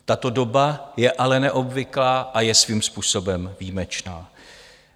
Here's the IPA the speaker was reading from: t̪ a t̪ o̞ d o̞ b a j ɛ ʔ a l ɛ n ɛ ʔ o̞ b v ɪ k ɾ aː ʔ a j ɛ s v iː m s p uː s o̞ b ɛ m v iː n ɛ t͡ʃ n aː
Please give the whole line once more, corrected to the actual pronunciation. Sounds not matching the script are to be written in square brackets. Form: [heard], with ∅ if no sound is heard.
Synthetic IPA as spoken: t̪ a t̪ o̞ d o̞ b a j ɛ ʔ a l ɛ n ɛ ʔ o̞ b v ɪ k [l] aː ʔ a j ɛ s v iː m s p uː s o̞ b ɛ m v iː [m] ɛ t͡ʃ n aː